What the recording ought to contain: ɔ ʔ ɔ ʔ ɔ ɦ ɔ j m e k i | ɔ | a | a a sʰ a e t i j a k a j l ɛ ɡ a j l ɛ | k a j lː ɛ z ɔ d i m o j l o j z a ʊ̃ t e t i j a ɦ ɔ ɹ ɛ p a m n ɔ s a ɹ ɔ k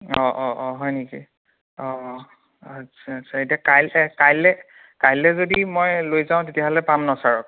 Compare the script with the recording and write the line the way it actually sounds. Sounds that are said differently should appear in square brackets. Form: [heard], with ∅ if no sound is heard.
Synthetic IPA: ɔ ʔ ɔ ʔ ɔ ɦ ɔ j [n] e k i | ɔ | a | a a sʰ a e t i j a k a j l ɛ [k] a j l ɛ | k a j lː ɛ z [o] d i m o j l o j z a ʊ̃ t e t i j a ɦ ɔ [l] ɛ p a m n ɔ s a ɹ ɔ k